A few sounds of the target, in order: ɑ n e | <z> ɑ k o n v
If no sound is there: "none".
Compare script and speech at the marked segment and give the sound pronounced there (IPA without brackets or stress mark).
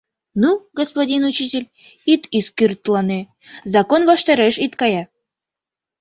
z